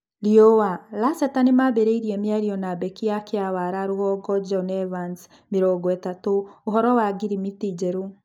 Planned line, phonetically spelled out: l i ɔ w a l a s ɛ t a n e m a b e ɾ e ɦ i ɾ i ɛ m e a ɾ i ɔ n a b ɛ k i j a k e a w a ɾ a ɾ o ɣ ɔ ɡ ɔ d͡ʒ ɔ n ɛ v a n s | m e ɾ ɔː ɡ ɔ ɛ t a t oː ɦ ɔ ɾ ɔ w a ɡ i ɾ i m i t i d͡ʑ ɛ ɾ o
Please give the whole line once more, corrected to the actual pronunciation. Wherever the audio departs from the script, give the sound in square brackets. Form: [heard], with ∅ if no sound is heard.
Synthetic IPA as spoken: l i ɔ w a l a s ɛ t a n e m a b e ɾ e [∅] i ɾ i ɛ m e a ɾ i ɔ n a b ɛ k i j a k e a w a ɾ a ɾ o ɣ ɔ ɡ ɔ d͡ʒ ɔ n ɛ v a n s | m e ɾ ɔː ɡ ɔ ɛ t a t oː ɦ ɔ ɾ ɔ w a ɡ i ɾ i m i t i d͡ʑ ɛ ɾ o

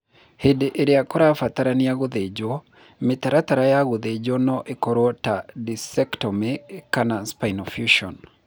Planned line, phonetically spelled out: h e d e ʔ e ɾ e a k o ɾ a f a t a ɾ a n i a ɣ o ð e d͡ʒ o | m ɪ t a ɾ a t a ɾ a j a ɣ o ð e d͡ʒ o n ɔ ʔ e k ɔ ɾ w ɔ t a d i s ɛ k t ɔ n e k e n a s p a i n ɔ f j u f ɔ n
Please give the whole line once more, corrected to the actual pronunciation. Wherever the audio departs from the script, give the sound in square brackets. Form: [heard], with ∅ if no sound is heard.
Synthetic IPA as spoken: h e d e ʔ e ɾ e a k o ɾ a f a t a ɾ a n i a ɣ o ð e d͡ʒ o | m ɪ t a ɾ a t a ɾ a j a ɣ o ð e d͡ʒ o n ɔ ʔ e k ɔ ɾ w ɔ t a d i s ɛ k t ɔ [m] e k [a] n a s p a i n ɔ f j u [ʃ] ɔ n

